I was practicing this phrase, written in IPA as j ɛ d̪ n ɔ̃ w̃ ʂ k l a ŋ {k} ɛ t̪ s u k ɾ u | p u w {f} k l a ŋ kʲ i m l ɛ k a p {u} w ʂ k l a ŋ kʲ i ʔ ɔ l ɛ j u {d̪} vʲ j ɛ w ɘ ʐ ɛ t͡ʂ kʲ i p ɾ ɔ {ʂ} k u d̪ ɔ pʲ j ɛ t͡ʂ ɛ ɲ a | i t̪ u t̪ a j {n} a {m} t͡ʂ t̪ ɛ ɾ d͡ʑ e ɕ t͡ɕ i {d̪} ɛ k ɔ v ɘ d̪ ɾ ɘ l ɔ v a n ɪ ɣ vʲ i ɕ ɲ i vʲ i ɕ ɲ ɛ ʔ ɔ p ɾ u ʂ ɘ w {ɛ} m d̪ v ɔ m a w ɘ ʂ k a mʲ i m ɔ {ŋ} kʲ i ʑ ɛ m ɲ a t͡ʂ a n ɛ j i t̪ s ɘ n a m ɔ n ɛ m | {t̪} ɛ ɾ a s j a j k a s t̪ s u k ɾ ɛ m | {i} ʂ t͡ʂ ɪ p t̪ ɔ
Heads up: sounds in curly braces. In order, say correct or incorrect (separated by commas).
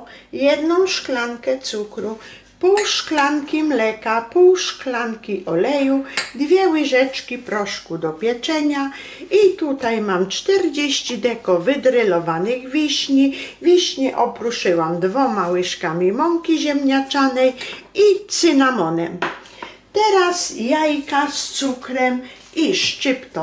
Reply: correct, incorrect, correct, correct, correct, incorrect, correct, correct, incorrect, correct, correct, correct